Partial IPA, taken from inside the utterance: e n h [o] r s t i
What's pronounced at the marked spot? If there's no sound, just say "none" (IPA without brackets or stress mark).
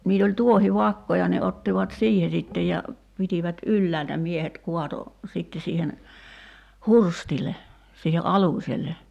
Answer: u